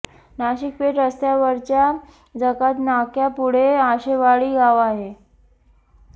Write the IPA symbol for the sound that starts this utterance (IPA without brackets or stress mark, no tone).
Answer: n